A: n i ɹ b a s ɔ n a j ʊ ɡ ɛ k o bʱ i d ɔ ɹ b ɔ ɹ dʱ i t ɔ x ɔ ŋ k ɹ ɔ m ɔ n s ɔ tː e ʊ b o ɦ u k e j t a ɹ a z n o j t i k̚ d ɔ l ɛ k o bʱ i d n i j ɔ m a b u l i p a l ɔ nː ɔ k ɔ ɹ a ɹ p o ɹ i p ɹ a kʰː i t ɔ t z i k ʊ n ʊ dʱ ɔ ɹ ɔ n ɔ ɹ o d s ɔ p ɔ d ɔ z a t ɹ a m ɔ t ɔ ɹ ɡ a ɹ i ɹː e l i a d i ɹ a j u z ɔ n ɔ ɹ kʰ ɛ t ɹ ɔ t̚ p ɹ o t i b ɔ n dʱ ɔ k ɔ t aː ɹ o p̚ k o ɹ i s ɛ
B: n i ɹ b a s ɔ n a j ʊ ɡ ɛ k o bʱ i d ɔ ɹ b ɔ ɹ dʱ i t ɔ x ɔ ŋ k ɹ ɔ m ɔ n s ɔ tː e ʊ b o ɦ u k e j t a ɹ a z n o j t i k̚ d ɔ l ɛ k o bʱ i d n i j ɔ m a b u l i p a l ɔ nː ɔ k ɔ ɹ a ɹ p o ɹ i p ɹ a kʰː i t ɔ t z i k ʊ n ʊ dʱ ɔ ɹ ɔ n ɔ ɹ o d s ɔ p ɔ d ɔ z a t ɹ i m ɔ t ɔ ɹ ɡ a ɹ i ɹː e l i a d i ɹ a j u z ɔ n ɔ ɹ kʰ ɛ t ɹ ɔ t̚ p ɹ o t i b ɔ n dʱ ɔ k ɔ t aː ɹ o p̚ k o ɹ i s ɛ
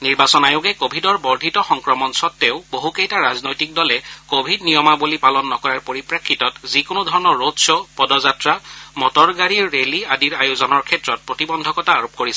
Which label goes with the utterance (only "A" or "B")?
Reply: A